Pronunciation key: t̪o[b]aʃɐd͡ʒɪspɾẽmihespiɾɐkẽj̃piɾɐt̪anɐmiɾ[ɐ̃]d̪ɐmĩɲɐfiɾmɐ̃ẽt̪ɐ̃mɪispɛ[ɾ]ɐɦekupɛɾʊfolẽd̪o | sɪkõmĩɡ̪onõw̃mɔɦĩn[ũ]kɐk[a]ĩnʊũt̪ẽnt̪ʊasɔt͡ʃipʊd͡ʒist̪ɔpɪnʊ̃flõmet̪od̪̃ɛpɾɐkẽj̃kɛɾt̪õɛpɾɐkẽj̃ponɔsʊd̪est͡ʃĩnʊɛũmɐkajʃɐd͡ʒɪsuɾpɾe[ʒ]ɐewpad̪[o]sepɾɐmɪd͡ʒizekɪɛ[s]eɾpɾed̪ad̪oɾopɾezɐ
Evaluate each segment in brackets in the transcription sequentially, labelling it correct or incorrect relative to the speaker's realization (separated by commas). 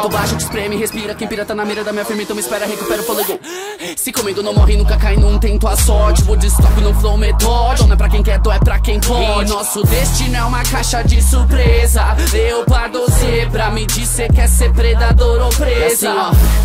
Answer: correct, incorrect, correct, correct, correct, incorrect, correct, correct